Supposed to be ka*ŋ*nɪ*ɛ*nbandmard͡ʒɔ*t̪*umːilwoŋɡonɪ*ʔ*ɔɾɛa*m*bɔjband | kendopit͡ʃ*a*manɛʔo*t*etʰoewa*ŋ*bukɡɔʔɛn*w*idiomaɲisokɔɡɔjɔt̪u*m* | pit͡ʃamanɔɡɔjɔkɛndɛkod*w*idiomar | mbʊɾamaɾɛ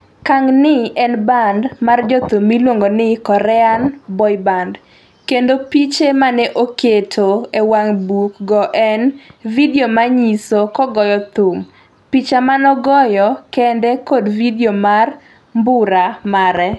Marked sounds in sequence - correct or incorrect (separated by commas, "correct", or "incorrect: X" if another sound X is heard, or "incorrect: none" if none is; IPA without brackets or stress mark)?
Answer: correct, correct, correct, incorrect: k, incorrect: n, incorrect: e, incorrect: k, correct, incorrect: v, correct, incorrect: v